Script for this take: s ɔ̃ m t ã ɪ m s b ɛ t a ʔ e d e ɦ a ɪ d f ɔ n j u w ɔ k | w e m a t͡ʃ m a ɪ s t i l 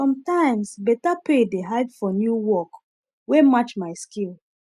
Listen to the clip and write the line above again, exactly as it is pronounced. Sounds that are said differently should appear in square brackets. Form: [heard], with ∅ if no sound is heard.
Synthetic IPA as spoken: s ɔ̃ m t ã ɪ m s b ɛ t a [p] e d e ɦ a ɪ d f ɔ n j u w ɔ k | w e m a t͡ʃ m a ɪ s [k] i l